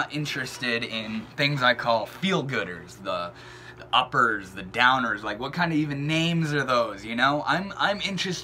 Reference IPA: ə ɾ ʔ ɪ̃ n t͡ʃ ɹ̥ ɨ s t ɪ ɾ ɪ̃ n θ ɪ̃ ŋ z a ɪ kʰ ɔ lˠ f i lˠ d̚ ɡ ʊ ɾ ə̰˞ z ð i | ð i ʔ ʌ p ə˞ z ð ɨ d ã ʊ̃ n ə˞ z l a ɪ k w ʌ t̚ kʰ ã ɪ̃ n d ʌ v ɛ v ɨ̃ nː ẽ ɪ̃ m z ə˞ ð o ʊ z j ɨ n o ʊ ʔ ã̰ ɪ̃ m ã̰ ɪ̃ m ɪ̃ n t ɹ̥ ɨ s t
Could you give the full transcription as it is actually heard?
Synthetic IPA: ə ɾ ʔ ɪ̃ n t͡ʃ ɹ̥ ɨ s t ɪ ɾ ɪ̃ n θ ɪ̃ ŋ z a ɪ kʰ ɔ lˠ f i lˠ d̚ ɡ ʊ ɾ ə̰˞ z ð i | ð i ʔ ʌ p ə˞ z ð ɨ d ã ʊ̃ n ə˞ z l a ɪ k w ʌ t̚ kʰ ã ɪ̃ n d ʌ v i v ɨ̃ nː ẽ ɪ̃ m z ə˞ ð o ʊ z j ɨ n o ʊ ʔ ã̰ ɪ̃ m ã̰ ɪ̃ m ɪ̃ n t͡ʃ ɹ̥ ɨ s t

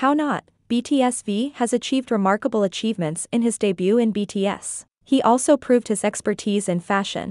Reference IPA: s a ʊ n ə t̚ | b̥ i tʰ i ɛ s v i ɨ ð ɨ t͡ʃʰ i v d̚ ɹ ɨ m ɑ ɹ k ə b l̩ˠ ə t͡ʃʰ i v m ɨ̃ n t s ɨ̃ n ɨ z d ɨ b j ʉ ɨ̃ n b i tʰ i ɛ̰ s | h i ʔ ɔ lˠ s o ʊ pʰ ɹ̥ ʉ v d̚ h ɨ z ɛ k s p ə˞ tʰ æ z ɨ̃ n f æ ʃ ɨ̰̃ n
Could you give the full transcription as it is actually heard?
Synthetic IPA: h a ʊ n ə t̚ | b̥ i tʰ i ɛ s v i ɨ z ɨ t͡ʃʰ i v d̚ ɹ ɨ m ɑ ɹ k ə b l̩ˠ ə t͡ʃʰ i v m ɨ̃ n t s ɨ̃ n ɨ z d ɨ b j ʉ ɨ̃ n b i tʰ i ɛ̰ s | h i ʔ ɔ lˠ s o ʊ pʰ ɹ̥ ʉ v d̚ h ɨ z ɛ k s p ə˞ tʰ i z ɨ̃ n f æ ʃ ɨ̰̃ n

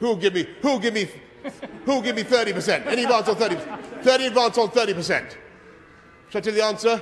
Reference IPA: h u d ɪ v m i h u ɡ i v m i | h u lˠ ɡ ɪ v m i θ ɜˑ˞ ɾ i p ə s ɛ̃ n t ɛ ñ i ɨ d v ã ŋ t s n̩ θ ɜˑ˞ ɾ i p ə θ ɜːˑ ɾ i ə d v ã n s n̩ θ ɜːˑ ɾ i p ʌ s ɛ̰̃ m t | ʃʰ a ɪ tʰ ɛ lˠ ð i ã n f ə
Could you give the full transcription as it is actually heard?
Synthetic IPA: h u ɡ ɪ v m i h u ɡ ɪ v m i | h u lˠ ɡ ɪ v m i θ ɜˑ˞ ɾ i p ə s ɛ̃ n t ɛ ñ i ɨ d v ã n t s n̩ θ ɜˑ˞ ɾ i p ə θ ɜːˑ ɾ i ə d v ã n s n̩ θ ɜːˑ ɾ i p ə s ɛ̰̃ n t | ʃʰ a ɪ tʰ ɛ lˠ ð i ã n s ə

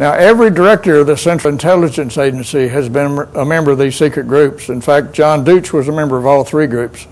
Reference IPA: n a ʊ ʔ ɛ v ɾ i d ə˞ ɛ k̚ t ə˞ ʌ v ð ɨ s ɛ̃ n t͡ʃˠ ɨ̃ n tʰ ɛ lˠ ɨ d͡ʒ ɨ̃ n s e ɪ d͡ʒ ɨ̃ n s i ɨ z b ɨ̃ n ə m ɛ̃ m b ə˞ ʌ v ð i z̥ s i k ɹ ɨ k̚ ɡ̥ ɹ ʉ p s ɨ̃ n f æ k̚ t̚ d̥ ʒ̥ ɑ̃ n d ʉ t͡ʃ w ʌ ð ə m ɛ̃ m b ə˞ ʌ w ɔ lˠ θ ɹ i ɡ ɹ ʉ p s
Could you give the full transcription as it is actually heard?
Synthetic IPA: n a ʊ ʔ ɛ v ɹ i d ə˞ ɛ k̚ t ə˞ ʌ v ð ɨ s ɛ̃ n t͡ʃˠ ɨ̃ n tʰ ɛ lˠ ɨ d͡ʒ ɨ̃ n s e ɪ d͡ʒ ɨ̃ n s i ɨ z b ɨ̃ n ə m ɛ̃ m b ə˞ ʌ v ð i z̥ s i k ɹ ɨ t̚ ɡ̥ ɹ ʉ p s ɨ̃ n f æ k̚ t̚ d̥ ʒ̥ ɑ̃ n d ʉ t͡ʃ w ʌ z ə m ɛ̃ m b ə˞ ʌ v ɔ lˠ θ ɹ i ɡ ɹ ʉ p s

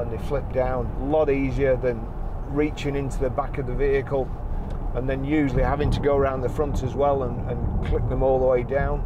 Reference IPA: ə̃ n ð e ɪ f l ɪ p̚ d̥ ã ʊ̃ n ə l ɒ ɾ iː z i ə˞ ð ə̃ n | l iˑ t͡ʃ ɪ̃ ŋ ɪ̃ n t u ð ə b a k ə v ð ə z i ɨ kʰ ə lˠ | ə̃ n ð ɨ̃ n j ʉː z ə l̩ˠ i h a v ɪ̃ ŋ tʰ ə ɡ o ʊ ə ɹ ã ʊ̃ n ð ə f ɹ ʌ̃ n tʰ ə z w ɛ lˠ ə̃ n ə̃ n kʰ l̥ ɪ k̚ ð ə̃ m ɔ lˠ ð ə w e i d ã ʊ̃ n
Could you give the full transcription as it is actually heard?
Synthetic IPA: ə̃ n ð e ɪ f l ɪ p̚ d̥ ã ʊ̃ n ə l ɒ ɾ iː z i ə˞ ð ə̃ n | ɹ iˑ t͡ʃ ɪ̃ ŋ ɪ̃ n t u ð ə b a k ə v ð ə v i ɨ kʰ ə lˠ | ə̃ n ð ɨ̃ n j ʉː ʒ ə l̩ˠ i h a v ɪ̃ ŋ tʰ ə ɡ o ʊ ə ɹ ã ʊ̃ n ð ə f ɹ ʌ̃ n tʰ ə z w ɛ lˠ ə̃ n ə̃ n kʰ l̥ ɪ k̚ ð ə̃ m ɔ lˠ ð ə w e ɪ d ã ʊ̃ n

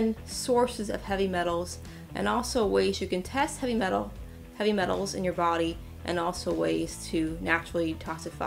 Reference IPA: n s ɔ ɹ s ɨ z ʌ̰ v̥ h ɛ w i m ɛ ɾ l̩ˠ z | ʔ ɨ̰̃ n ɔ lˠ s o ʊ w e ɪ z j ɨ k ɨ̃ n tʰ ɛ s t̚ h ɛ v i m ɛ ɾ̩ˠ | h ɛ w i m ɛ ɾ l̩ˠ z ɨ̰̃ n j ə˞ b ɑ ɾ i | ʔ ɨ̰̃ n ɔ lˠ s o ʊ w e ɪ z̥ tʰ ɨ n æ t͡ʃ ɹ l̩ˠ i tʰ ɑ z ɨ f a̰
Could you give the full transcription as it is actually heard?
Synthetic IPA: n s ɔ ɹ s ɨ z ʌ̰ v̥ h ɛ v i m ɛ ɾ l̩ˠ z | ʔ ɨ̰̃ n ɔ lˠ s o ʊ w e ɪ z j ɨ k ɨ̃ n tʰ ɛ s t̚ h ɛ v i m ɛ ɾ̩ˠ | h ɛ v i m ɛ ɾ l̩ˠ z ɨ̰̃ n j ə˞ b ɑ ɾ i | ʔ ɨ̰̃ n ɔ lˠ s o ʊ w e ɪ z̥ tʰ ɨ n æ t͡ʃ ɹ l̩ˠ i tʰ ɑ s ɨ f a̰

